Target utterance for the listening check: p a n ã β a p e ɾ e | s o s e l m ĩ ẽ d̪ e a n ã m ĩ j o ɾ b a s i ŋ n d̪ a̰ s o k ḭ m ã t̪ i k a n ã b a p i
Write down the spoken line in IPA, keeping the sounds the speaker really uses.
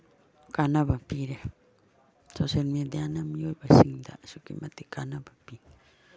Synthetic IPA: k a n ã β a p i ɾ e | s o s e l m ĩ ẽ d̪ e a n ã m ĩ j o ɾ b a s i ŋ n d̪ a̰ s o k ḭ m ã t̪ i k a n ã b a p i